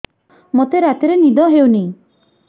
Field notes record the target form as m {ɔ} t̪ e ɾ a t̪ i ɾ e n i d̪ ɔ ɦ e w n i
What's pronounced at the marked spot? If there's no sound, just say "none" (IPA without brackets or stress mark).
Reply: o